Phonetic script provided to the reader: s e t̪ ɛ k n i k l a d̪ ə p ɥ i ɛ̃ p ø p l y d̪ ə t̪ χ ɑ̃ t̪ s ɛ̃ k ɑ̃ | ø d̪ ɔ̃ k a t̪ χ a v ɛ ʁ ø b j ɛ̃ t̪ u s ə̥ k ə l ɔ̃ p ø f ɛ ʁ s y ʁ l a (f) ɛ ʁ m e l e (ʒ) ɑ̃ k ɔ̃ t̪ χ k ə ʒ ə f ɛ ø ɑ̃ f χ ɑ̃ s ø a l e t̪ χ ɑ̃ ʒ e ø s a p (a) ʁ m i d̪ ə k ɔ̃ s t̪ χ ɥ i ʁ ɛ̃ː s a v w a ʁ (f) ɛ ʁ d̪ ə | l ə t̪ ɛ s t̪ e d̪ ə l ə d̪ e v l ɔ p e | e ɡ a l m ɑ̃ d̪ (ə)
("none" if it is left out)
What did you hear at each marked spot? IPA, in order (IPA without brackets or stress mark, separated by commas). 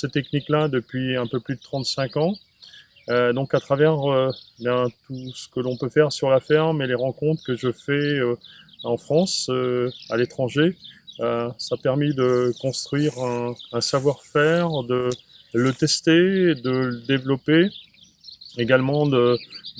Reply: f, ʁ, ɛ, f, ə